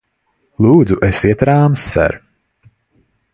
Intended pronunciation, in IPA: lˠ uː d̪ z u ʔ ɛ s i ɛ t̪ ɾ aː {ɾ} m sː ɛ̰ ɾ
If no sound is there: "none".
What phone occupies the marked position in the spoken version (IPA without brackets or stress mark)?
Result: none